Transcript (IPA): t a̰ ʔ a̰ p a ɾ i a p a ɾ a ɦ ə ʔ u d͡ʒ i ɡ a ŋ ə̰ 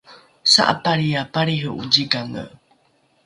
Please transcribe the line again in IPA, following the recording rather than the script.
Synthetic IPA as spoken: s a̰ ʔ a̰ p a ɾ i a p a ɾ i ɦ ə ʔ u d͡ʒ i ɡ a ŋ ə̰